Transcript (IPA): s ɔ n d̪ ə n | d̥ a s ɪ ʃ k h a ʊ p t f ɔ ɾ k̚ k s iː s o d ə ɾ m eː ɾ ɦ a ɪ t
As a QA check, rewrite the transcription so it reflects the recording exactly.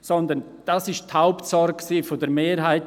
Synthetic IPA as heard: s ɔ n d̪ ə n | d̥ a s ɪ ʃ t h a ʊ p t s ɔ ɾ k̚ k s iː f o d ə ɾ m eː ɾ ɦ a ɪ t